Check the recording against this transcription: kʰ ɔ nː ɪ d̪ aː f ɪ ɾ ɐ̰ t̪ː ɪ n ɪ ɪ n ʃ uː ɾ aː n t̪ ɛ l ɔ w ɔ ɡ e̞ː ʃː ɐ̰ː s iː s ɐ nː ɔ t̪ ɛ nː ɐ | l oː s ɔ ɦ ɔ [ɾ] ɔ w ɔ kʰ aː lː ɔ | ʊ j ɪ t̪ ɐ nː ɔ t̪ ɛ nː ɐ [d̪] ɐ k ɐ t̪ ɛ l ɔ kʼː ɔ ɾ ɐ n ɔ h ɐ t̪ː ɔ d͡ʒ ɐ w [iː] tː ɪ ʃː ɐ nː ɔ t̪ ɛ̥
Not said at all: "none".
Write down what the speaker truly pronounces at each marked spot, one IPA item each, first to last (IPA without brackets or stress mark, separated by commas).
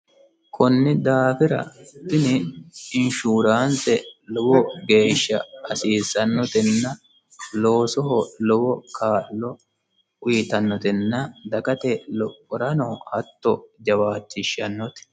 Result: l, d̪, aː